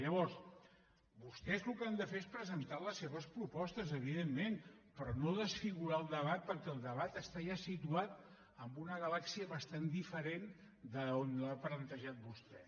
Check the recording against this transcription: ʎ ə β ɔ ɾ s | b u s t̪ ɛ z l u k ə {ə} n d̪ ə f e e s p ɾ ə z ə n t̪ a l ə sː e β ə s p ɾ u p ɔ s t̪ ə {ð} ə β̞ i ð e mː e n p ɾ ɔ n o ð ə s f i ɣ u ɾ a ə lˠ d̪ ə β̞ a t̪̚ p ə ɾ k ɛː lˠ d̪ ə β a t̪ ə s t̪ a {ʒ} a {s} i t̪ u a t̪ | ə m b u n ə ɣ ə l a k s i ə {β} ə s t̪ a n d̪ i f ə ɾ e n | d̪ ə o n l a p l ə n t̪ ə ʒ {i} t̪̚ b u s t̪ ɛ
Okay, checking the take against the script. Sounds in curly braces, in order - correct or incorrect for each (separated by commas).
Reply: incorrect, incorrect, correct, correct, correct, incorrect